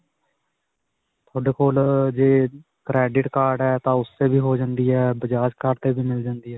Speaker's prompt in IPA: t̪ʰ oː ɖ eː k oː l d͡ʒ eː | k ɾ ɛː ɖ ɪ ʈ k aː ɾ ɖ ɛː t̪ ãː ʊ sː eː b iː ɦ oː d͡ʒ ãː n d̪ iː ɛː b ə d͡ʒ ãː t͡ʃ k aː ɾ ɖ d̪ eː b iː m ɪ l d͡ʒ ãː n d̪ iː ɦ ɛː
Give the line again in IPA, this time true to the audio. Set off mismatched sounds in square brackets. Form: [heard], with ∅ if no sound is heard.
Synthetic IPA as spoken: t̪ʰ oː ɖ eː k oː l d͡ʒ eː | k ɾ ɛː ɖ ɪ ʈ k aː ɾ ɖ ɛː t̪ ãː ʊ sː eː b iː ɦ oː d͡ʒ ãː n d̪ iː ɛː b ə d͡ʒ [aː] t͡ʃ k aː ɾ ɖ [t̪] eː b iː m ɪ l d͡ʒ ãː n d̪ iː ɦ ɛː